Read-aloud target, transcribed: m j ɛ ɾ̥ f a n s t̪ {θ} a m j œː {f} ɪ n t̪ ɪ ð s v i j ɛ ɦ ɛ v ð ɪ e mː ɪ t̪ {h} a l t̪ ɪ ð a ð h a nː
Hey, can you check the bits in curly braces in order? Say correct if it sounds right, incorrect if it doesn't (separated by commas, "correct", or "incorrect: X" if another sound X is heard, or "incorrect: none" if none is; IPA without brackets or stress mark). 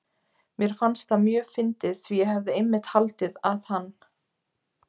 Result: correct, correct, correct